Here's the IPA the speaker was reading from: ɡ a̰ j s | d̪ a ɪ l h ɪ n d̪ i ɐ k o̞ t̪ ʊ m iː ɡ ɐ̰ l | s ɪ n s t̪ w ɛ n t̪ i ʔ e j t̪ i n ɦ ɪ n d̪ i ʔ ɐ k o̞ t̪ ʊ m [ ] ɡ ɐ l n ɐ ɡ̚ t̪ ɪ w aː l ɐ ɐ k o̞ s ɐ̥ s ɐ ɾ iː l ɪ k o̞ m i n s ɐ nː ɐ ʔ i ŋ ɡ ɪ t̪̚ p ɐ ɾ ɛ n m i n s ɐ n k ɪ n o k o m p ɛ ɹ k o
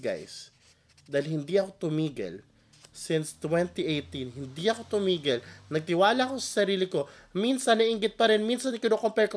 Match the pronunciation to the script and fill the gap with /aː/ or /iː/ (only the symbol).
iː